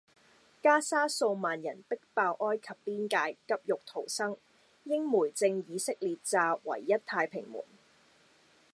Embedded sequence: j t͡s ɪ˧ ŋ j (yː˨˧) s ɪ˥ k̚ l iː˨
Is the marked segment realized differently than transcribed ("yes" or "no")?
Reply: yes